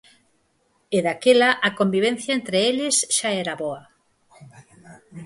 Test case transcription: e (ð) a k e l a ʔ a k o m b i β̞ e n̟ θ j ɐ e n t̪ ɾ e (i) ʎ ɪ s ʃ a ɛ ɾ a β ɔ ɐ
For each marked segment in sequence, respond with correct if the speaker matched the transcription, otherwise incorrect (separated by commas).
correct, incorrect